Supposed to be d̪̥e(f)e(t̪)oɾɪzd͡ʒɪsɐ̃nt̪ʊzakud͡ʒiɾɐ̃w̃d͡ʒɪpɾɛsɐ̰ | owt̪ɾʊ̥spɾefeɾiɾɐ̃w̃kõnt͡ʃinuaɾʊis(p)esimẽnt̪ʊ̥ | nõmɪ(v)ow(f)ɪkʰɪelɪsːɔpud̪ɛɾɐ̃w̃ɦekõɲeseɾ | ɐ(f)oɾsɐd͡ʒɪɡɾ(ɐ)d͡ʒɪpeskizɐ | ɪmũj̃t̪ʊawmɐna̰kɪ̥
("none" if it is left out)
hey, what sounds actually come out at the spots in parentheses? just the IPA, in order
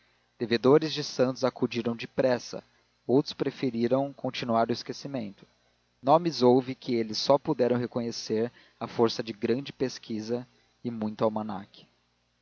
v, d̪, k, z, v, f, ɐ̃

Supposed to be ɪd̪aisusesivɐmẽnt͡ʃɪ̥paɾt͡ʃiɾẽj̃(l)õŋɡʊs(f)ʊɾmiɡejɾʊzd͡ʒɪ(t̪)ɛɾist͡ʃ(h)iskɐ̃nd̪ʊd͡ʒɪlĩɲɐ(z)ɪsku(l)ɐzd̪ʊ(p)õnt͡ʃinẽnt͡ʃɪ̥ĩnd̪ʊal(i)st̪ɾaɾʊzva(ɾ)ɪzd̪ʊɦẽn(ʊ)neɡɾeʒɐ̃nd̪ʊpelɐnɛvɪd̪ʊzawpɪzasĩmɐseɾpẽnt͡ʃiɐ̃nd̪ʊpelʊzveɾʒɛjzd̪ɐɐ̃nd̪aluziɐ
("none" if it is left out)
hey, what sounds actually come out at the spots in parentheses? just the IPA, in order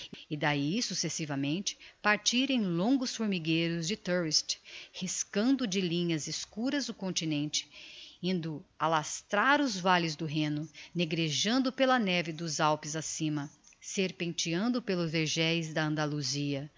l, f, t̪, h, z, ɾ, k, a, l, ʊ

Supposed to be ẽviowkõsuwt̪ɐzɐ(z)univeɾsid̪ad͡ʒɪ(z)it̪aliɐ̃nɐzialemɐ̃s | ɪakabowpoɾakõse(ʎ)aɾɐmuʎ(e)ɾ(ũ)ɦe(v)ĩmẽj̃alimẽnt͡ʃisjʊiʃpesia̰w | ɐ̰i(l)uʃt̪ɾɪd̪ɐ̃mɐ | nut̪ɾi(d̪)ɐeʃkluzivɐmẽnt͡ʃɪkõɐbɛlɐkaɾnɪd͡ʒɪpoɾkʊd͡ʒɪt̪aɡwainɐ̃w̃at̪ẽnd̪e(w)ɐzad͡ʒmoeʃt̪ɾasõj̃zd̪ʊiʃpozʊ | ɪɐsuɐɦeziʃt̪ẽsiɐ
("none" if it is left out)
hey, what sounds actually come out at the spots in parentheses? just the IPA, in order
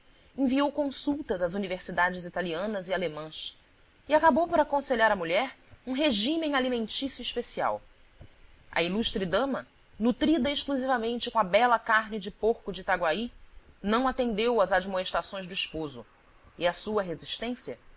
z, z, ʎ, ɛ, ũ, ʒ, l, d̪, w

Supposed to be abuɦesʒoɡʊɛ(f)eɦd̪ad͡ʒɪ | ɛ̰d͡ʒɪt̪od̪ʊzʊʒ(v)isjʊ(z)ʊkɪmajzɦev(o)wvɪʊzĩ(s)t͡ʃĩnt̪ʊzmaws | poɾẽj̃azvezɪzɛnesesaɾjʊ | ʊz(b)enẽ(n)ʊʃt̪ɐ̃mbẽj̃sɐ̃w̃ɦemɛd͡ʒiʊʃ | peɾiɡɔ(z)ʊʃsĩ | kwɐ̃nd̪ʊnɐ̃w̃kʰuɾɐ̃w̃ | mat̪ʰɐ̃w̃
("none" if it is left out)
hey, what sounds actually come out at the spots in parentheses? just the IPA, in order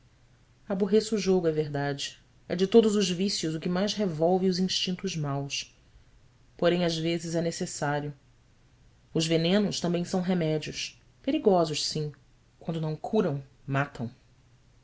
v, v, z, ɔ, ʃ, v, n, z

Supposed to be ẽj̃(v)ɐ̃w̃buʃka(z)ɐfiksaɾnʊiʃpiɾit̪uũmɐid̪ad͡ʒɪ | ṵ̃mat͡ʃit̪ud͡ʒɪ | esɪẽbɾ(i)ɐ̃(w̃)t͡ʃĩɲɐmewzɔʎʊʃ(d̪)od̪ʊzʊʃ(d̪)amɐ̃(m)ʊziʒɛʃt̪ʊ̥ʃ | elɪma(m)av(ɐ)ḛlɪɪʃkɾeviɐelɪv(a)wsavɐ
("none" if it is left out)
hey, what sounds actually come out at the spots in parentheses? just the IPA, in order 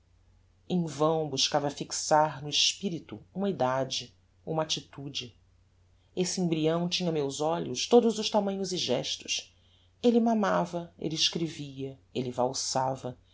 v, v, i, w̃, t̪, t̪, ɲ, m, ɐ, a

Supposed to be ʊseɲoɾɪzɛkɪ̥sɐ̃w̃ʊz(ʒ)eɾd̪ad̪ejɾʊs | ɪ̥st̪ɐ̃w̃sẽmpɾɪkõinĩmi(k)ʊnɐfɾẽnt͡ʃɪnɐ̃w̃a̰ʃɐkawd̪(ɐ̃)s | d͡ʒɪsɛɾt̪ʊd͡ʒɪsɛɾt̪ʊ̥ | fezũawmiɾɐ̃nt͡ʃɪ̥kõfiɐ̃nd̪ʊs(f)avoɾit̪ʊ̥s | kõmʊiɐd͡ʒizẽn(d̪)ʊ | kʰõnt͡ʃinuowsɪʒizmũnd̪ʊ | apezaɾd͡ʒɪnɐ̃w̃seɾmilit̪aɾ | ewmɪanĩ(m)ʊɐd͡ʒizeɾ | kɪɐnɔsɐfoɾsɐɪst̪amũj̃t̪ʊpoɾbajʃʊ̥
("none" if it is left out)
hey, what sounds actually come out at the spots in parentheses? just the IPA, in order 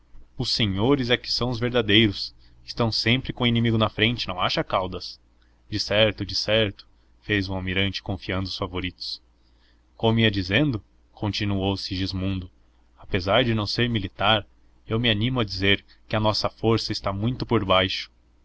v, ɡ, ɐ, f, d̪, m

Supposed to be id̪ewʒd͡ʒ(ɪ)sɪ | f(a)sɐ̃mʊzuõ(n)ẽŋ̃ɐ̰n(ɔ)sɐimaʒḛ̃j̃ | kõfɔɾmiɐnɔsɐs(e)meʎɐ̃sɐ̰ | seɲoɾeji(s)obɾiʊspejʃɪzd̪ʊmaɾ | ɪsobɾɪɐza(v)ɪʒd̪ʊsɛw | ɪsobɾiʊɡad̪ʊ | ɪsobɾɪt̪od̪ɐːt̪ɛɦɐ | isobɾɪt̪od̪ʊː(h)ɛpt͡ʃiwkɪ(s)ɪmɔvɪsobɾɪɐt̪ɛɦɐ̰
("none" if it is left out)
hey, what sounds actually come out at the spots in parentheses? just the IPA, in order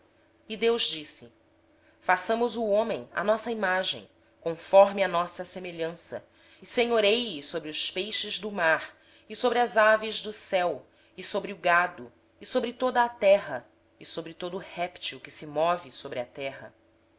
i, a, m, ɔ, e, s, v, h, s

